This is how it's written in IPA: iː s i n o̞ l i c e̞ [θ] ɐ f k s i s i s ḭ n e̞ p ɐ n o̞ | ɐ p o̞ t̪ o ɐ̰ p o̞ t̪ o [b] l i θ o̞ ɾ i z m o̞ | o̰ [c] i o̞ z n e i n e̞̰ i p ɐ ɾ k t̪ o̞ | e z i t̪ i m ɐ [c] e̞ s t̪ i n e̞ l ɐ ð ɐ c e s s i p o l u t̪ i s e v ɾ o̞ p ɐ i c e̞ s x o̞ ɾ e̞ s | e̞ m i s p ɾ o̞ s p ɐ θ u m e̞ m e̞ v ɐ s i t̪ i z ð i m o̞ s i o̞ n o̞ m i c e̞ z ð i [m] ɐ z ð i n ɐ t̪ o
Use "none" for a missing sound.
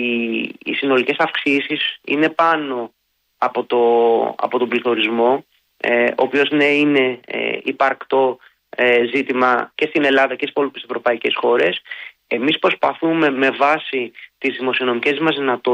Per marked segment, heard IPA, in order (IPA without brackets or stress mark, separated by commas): s, b, p, c, m